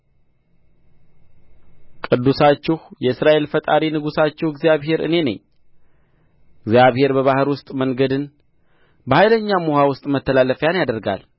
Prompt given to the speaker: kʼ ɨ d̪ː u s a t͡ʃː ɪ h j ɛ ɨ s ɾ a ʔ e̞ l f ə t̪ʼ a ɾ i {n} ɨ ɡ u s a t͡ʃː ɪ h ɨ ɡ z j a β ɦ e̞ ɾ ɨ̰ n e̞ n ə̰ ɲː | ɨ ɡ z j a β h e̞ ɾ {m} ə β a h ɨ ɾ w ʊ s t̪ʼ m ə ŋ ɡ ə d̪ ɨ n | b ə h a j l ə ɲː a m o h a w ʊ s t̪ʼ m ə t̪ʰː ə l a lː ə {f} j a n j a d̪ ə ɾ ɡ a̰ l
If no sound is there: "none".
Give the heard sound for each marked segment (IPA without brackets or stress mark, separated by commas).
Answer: n, b, f